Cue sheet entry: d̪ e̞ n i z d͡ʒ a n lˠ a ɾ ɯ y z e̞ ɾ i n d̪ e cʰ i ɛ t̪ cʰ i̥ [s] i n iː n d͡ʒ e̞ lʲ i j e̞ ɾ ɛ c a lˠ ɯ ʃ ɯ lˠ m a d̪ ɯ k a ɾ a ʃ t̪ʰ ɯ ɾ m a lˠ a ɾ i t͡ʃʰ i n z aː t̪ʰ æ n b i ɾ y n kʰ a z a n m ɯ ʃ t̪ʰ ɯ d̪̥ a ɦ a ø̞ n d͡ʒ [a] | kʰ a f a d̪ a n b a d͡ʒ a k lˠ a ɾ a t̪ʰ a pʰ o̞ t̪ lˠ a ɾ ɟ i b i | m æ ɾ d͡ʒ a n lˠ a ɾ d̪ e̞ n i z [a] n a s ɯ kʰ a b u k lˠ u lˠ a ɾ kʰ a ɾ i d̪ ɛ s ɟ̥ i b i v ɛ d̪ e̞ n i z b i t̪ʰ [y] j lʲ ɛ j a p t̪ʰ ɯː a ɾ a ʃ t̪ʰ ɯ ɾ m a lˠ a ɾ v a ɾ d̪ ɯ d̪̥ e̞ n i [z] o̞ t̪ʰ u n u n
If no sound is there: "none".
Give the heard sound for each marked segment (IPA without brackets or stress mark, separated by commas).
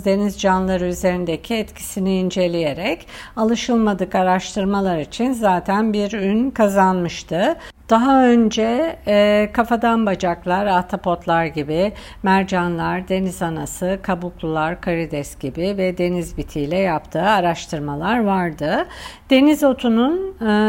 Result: s, ɛ, a, i, z